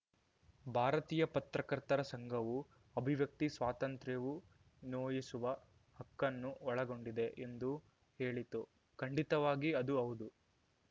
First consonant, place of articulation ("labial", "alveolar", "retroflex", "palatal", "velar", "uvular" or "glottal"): labial